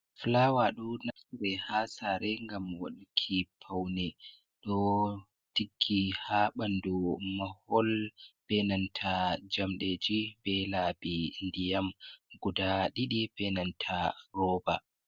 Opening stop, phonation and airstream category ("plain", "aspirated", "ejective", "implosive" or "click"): implosive